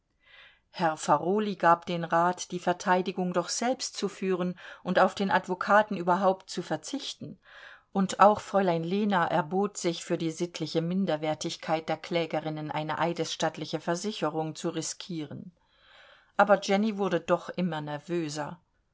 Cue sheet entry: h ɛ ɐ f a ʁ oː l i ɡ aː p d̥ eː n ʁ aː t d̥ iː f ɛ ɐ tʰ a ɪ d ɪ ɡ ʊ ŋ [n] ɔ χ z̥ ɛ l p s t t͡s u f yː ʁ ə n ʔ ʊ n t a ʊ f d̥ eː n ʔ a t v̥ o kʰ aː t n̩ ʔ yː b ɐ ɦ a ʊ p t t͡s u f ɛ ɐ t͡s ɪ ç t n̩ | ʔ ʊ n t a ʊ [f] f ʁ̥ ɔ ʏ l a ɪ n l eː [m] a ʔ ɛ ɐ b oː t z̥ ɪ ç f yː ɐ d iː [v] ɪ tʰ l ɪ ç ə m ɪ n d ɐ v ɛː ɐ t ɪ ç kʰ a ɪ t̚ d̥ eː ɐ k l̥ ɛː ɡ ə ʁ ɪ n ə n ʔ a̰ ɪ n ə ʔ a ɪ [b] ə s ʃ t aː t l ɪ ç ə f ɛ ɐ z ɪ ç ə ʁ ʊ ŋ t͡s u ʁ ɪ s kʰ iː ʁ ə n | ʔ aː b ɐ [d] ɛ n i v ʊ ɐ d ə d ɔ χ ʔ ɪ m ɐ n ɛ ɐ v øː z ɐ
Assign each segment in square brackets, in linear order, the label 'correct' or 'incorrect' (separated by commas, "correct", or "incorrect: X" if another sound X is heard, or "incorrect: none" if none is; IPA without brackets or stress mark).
incorrect: d, incorrect: x, incorrect: n, incorrect: z, incorrect: d, incorrect: d͡ʒ